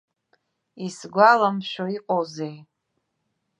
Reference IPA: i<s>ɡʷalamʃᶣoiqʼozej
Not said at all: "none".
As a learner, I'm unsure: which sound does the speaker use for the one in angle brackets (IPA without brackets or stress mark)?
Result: s